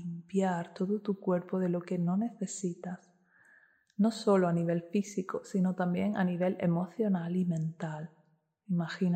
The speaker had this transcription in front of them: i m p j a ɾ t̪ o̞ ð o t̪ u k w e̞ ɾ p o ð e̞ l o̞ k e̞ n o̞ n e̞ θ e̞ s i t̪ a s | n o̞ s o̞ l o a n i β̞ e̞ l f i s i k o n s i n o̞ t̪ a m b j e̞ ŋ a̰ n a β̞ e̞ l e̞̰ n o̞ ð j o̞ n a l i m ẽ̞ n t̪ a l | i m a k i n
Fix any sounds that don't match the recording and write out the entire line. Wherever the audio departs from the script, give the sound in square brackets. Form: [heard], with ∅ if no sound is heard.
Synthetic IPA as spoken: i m p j a ɾ t̪ o̞ ð o t̪ u k w e̞ ɾ p o ð e̞ l o̞ k e̞ n o̞ n e̞ θ e̞ s i t̪ a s | n o̞ s o̞ l o a n i β̞ e̞ l f i s i k o [∅] s i n o̞ t̪ a m b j e̞ ŋ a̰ n [i] β̞ e̞ l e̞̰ [m] o̞ [θ] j o̞ n a l i m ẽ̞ n t̪ a l | i m a [x] i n